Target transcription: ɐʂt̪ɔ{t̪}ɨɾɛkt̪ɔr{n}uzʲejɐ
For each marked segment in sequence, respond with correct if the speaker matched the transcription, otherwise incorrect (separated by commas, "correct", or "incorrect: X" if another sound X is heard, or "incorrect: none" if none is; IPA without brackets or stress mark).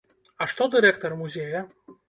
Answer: incorrect: d̪, incorrect: m